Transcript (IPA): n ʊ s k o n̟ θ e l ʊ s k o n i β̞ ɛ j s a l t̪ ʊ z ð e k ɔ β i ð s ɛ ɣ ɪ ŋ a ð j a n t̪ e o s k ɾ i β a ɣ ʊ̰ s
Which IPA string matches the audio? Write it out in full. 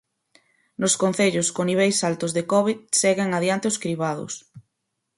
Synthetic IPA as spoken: n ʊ s k o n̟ θ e ʎ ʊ s k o n i β̞ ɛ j s a l t̪ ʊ z ð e k ɔ β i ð s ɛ ɣ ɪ ŋ a ð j a n t̪ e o s k ɾ i β a ð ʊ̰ s